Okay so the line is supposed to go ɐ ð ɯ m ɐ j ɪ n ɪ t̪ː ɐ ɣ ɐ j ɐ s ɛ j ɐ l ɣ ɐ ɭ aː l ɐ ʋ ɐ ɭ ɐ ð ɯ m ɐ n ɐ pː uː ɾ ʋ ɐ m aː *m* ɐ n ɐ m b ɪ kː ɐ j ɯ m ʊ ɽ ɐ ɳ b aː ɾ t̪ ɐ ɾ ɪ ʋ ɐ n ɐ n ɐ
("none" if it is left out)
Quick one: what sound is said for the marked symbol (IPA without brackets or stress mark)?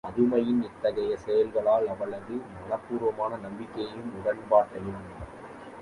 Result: n